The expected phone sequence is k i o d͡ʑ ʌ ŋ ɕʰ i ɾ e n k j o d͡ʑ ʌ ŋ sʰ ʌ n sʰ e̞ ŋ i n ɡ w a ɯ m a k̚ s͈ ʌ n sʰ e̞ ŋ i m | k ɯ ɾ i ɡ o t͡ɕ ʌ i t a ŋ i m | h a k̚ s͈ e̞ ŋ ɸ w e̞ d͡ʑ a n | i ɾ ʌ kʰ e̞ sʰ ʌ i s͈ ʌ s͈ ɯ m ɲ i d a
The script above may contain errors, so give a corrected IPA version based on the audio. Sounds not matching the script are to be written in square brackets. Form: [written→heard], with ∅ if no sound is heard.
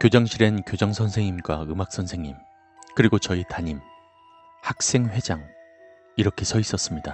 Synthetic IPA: k [i→j] o d͡ʑ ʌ ŋ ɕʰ i ɾ e n k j o d͡ʑ ʌ ŋ sʰ ʌ n sʰ e̞ ŋ i [n→m] ɡ w a ɯ m a k̚ s͈ ʌ n sʰ e̞ ŋ i m | k ɯ ɾ i ɡ o t͡ɕ ʌ i t a [ŋ→ɲ] i m | h a k̚ s͈ e̞ ŋ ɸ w e̞ d͡ʑ a [n→ŋ] | i ɾ ʌ kʰ e̞ sʰ ʌ i s͈ ʌ s͈ ɯ m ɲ i d a